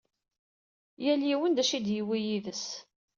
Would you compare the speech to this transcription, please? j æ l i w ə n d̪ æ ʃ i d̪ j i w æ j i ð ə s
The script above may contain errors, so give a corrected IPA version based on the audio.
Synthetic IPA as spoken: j æ l i w ə n d̪ æ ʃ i d̪ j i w i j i ð ə s